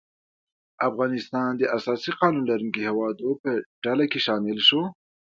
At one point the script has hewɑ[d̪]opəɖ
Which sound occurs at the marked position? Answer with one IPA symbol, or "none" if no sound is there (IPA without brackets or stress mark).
d̪